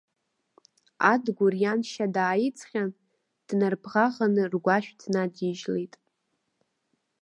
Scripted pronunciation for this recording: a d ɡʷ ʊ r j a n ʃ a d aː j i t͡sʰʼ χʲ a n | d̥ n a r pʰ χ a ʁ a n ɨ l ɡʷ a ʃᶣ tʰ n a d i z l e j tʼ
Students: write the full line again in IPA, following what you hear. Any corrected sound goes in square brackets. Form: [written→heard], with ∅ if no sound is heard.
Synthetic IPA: a d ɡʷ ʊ r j a n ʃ a d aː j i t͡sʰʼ χʲ a n | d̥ n a r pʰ [χ→ʁ] a ʁ a n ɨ [l→r] ɡʷ a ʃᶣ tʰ n a d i [z→ʒ] l e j tʼ